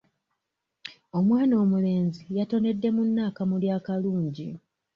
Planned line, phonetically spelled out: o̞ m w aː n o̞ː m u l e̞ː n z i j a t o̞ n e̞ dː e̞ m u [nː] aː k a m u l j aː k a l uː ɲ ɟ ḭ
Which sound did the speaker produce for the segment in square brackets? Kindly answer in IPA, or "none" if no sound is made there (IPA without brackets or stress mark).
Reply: nː